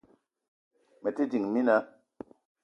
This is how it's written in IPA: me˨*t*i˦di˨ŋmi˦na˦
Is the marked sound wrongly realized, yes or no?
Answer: no